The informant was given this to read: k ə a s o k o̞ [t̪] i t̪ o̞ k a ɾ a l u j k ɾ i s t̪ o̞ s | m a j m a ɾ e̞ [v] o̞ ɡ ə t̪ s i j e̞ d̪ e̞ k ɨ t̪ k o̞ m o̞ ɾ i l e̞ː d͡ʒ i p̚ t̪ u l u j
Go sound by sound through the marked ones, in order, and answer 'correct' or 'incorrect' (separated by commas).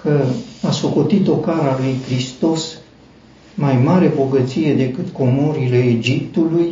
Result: correct, incorrect